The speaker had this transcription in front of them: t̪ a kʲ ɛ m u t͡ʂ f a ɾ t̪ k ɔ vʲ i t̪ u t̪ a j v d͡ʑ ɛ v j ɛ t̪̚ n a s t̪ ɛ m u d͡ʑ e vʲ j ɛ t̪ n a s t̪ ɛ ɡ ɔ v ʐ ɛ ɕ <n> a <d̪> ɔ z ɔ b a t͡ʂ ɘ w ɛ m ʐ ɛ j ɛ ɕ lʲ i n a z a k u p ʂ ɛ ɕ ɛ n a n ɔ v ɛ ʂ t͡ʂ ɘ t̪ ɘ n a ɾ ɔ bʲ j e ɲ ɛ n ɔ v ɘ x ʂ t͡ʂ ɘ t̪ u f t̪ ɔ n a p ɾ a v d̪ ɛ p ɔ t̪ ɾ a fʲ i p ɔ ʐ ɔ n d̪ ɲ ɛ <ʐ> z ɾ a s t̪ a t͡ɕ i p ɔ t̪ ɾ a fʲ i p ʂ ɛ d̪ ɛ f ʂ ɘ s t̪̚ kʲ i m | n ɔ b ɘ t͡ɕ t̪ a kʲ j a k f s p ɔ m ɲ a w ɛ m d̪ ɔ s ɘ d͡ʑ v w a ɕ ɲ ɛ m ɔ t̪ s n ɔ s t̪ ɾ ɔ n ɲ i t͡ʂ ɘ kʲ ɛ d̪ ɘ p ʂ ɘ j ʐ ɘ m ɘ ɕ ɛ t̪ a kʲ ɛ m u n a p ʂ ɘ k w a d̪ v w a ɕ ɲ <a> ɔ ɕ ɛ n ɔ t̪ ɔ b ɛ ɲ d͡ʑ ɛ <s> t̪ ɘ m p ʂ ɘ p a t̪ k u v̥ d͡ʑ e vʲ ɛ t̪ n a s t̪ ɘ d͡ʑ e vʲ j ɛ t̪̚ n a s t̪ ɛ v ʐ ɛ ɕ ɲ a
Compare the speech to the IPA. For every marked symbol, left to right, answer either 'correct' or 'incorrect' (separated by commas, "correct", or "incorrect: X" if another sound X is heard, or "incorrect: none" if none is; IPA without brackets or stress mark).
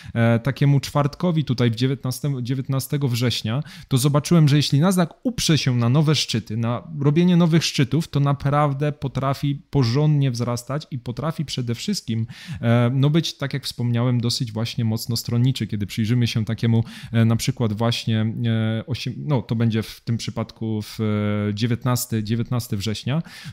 incorrect: ɲ, incorrect: t̪, incorrect: v, incorrect: ɛ, incorrect: f